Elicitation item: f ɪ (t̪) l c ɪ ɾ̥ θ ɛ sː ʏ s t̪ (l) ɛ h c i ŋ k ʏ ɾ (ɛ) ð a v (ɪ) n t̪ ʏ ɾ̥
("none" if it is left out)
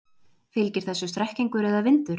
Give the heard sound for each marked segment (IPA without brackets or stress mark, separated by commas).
none, ɾ, ɛ, ɪ